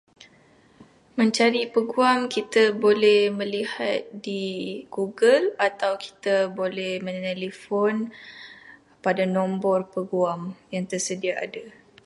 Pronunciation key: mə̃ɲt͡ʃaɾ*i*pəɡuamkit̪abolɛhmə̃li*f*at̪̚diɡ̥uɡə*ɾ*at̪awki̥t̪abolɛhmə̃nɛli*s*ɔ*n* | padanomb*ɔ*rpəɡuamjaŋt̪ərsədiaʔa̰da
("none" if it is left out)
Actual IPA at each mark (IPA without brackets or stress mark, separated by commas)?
i, h, l, f, n, ɔ